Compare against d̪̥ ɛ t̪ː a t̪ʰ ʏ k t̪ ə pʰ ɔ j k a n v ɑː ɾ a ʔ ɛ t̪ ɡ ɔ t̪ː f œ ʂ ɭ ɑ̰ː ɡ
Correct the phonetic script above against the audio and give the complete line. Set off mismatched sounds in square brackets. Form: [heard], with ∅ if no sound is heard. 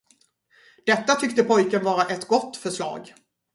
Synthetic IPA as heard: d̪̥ ɛ t̪ː a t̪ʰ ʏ k t̪ ə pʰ ɔ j k [ə] n v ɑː ɾ a ʔ ɛ t̪ ɡ ɔ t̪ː f œ ʂ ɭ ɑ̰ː ɡ